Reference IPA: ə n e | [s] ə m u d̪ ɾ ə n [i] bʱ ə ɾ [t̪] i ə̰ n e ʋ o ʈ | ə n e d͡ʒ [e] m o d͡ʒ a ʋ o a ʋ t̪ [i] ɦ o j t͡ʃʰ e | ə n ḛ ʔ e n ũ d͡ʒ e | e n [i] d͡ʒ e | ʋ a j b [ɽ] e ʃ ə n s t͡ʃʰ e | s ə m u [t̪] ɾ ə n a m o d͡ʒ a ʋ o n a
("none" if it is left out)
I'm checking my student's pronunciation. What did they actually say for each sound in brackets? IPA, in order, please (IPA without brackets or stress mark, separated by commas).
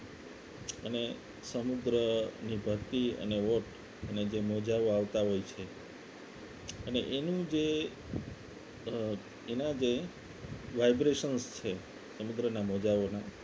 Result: s, i, t̪, e, a, a, ɾ, d̪